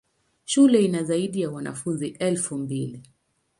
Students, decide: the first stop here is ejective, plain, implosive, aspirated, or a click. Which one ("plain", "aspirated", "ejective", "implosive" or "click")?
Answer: implosive